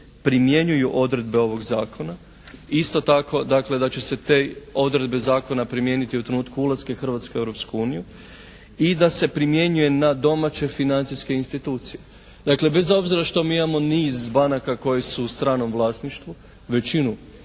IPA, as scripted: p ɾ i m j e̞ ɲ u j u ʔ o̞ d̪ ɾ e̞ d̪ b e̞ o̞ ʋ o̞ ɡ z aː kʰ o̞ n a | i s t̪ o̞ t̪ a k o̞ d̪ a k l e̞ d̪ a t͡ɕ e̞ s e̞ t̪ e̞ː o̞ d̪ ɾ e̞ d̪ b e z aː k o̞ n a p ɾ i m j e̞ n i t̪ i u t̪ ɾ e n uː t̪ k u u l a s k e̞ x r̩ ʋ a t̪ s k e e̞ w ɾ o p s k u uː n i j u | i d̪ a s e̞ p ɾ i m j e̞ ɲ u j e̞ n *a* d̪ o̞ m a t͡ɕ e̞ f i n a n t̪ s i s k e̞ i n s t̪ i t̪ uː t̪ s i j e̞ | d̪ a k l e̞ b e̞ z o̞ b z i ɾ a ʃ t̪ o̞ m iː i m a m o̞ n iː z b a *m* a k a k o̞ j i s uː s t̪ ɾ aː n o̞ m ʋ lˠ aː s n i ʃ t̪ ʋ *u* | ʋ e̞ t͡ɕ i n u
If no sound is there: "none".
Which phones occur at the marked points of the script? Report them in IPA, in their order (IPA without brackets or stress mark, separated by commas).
a, n, u